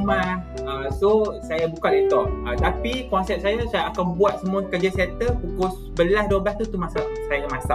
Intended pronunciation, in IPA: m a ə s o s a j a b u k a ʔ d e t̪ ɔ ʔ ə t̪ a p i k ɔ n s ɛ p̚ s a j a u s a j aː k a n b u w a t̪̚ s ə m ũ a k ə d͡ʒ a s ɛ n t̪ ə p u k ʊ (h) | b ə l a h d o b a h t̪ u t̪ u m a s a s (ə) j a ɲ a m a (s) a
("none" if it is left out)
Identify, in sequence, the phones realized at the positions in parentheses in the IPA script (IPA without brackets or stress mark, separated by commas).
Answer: s, a, s